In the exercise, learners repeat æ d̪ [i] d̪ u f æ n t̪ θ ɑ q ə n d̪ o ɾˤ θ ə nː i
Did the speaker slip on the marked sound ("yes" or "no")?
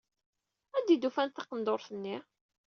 no